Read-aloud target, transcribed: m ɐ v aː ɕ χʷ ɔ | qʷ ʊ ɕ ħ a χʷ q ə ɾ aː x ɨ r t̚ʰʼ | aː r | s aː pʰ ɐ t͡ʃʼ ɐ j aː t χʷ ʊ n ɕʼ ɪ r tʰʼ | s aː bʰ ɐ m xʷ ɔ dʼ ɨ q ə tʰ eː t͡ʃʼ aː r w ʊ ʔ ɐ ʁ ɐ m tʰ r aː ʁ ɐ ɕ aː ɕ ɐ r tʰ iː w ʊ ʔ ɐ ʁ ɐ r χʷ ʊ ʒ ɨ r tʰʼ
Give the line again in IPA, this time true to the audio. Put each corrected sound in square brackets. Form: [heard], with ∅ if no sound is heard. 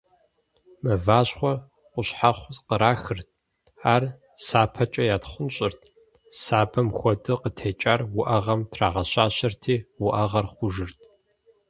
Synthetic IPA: m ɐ v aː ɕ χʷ ɔ | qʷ ʊ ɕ ħ a χʷ q ə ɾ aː x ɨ r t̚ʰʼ | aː r | s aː pʰ ɐ t͡ʃʼ ɐ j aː t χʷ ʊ n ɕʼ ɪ r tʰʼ | s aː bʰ ɐ m xʷ ɔ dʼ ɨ q ə tʰ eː t͡ʃʼ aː r w ʊ ʔ ɐ ʁ ɐ m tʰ r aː ʁ ɐ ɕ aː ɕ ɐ r tʰ iː w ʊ ʔ ɐ ʁ ɐ r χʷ ʊ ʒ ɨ r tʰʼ